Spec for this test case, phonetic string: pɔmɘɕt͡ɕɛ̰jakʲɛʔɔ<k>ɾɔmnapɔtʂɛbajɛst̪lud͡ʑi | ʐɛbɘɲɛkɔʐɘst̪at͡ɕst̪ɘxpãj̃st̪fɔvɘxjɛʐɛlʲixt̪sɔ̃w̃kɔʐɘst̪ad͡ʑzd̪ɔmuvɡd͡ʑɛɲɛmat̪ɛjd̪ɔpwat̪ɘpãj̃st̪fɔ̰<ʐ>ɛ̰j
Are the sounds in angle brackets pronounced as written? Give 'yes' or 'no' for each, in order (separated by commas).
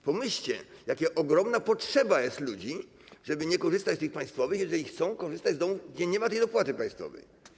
no, no